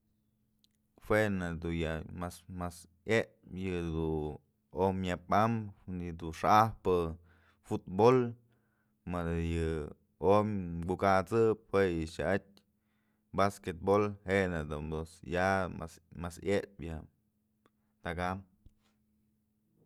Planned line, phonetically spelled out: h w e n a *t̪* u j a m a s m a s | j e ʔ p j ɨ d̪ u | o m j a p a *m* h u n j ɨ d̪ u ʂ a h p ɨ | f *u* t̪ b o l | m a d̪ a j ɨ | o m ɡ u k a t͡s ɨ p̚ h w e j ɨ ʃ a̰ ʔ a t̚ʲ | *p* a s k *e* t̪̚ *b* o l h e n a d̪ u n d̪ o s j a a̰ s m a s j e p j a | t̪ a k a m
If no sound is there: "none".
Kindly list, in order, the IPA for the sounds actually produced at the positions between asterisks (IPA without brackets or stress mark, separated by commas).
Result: d̪, m, u, b, e, b